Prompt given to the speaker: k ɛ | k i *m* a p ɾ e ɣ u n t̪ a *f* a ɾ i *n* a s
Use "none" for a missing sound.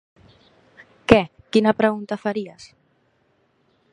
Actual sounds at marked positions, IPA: n, f, none

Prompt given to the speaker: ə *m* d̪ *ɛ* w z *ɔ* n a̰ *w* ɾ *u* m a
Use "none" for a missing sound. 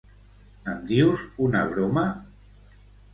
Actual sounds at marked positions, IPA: m, i, u, β, o

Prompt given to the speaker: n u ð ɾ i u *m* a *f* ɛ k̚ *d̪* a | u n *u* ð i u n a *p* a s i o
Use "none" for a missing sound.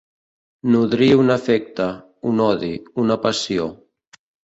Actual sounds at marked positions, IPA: n, f, t̪, ɔ, p

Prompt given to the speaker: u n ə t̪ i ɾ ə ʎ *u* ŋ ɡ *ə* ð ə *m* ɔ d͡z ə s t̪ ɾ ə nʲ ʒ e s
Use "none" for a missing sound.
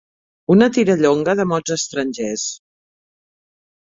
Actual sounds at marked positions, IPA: o, ə, m

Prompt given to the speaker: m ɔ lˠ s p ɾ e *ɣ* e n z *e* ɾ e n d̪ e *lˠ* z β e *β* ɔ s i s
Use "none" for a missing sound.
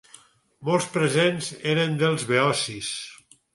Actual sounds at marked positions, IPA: z, e, lˠ, none

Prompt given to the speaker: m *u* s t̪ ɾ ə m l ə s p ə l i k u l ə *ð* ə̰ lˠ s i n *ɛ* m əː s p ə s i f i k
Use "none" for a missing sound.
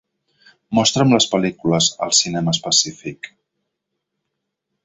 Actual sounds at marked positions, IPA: ɔ, z, ɛ

